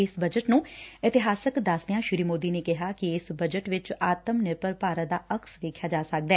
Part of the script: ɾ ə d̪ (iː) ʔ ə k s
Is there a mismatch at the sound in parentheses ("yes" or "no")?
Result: yes